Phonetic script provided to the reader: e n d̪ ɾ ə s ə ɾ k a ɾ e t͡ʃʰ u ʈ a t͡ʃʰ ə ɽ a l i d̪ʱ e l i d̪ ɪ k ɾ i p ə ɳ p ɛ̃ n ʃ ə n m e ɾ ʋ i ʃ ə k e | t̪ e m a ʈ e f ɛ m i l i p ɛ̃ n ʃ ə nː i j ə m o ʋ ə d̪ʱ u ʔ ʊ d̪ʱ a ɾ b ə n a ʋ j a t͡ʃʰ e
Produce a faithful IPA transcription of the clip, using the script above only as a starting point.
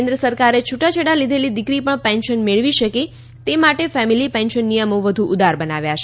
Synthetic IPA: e n d̪ ɾ ə s ə ɾ k a ɾ e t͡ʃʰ u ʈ a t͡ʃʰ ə ɽ a l i d̪ʱ e l i d̪ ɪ k ɾ i p ə ɳ p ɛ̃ n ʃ ə n m e ɭ ʋ i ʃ ə k e | t̪ e m a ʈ e f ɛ m i l i p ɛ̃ n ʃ ə nː i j ə m o ʋ ə d̪ʱ u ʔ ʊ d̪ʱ a ɾ b ə n a ʋ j a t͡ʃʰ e